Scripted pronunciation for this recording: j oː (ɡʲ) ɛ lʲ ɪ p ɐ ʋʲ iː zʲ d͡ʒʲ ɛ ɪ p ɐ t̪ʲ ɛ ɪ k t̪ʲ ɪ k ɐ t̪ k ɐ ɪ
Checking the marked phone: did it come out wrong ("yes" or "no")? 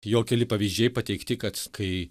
yes